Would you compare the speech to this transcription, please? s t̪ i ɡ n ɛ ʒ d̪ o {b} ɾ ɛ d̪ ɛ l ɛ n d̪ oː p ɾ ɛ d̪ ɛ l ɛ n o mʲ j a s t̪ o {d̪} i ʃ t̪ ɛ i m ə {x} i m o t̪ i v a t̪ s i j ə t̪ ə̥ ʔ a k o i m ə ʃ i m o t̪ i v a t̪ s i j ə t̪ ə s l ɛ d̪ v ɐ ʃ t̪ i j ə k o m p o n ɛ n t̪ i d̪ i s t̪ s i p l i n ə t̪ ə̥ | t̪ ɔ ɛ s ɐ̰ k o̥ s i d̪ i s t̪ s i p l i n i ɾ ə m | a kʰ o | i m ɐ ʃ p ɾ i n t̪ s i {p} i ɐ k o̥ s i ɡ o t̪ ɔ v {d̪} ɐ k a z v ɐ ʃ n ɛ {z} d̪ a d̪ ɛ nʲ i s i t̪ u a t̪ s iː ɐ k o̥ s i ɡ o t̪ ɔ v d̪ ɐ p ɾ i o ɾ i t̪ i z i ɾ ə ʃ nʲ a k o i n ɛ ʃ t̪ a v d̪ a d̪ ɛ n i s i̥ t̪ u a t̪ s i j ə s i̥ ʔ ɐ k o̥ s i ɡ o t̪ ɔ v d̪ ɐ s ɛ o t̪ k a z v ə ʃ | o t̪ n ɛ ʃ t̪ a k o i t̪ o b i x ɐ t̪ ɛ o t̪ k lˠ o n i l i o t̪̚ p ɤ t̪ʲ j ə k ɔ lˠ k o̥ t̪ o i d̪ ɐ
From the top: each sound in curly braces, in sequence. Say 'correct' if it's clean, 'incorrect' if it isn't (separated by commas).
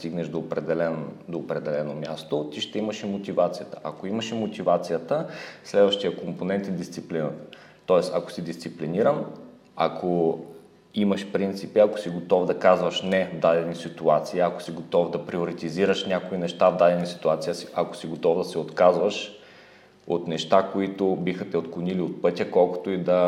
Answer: incorrect, incorrect, incorrect, correct, correct, incorrect